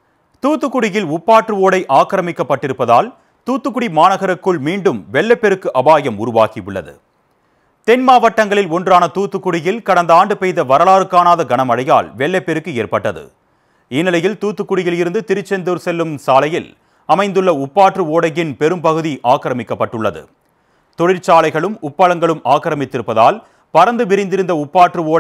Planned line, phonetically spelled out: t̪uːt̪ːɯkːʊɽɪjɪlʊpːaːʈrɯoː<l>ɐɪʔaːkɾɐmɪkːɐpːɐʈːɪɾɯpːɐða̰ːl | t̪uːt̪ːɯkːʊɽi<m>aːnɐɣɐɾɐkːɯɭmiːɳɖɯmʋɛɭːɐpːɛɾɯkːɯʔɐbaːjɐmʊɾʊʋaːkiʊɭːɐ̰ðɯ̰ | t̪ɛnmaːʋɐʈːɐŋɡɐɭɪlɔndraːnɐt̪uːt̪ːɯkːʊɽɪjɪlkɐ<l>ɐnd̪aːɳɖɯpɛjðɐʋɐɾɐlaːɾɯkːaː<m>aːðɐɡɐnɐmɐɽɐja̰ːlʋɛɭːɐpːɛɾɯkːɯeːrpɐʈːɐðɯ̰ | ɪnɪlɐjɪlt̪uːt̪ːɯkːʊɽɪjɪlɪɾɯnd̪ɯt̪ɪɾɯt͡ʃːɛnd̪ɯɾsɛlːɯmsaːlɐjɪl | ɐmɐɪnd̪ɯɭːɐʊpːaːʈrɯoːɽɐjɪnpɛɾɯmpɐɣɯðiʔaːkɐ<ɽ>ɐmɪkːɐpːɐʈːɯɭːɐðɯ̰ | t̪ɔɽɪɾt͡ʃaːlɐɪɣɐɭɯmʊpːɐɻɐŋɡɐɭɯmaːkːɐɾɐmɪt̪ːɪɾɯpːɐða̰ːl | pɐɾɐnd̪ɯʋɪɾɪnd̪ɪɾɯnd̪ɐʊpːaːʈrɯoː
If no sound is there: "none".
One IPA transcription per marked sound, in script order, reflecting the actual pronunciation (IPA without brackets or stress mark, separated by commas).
ɽ, m, ɽ, n, ɾ